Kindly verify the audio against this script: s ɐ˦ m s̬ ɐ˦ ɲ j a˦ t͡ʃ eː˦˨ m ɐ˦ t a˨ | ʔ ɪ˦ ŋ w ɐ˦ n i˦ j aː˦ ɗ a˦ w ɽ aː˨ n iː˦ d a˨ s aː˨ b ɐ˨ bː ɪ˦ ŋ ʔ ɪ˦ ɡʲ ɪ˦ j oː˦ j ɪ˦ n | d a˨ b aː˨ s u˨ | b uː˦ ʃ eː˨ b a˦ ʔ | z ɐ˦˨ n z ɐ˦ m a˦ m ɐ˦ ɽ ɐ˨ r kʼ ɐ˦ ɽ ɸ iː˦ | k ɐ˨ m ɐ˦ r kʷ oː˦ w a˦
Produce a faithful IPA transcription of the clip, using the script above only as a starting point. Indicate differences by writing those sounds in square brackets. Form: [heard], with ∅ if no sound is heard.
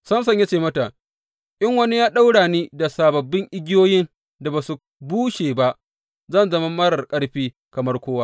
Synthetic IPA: s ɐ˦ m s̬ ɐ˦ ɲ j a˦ t͡ʃ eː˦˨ m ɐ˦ t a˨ | ʔ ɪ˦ ŋ w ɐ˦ n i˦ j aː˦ ɗ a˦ w ɽ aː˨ n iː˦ d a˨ s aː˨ b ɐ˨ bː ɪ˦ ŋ ʔ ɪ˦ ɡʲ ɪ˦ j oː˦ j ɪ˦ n | d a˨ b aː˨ s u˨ | b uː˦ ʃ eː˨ b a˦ ʔ | z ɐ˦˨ n z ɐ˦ m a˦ m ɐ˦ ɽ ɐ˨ r kʼ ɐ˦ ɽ ɸ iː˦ | k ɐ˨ m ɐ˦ r kʷ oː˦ w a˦